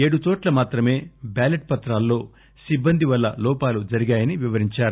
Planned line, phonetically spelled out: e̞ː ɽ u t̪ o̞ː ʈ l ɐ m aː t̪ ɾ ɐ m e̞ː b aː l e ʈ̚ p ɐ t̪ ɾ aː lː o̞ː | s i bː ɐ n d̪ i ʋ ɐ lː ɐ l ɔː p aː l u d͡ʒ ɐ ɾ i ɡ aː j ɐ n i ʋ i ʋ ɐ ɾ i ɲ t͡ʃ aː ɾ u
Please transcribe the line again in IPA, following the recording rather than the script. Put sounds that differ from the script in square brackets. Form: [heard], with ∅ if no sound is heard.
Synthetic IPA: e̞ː ɽ u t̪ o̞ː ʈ l ɐ m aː t̪ ɾ ɐ m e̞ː b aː l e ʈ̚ p ɐ t̪ ɾ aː lː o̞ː | s i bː ɐ n d̪ i ʋ ɐ lː ɐ l ɔː p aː l u d͡ʒ ɐ ɾ i ɡ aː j ɐ n i ʋ i ʋ ɐ ɾ i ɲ t͡ʃ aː ɾ u